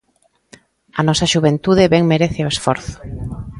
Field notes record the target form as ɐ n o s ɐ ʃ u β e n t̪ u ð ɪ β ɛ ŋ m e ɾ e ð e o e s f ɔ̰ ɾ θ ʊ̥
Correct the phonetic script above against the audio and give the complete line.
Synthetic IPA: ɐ n ɔ s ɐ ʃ u β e n t̪ u ð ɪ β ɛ ŋ m e ɾ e θ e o e s f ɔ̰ ɾ θ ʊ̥